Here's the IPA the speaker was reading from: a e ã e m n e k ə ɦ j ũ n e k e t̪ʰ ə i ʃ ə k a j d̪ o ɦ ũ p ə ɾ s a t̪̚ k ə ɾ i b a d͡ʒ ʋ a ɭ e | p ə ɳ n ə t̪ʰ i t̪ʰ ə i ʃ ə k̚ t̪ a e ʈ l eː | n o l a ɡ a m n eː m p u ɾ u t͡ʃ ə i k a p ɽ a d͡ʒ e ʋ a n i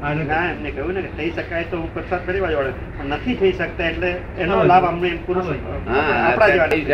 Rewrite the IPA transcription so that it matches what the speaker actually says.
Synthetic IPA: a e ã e m n e k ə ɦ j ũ n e k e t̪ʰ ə i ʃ ə k a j t̪ o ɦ ũ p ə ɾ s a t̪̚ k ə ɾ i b a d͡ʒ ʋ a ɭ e | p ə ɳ n ə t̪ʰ i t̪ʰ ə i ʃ ə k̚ t̪ a e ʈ l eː | n o l a b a m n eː m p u ɾ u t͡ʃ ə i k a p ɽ a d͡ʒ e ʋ a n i